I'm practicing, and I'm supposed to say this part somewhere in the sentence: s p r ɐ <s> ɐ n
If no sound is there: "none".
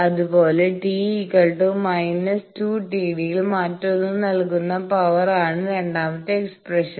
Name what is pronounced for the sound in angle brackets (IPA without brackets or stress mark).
ʂ